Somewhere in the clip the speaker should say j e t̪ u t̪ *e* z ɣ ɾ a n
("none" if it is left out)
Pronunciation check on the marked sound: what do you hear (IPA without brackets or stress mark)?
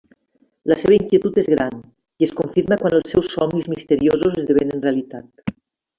e